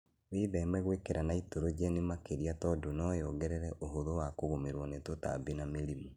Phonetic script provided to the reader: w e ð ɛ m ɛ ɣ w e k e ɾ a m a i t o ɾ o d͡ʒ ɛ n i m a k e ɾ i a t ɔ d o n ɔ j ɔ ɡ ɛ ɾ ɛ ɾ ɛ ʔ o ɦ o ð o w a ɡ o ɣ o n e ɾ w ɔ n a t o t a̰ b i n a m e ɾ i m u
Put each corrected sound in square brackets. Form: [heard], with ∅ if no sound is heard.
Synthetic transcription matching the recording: w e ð ɛ m ɛ ɣ w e k e ɾ a [n] a i t o ɾ o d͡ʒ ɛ n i m a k e ɾ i a t ɔ d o n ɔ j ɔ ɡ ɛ ɾ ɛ ɾ ɛ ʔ o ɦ o ð o w a [k] o ɣ o [m] e ɾ w ɔ n [e] t o t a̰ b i n a m e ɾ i m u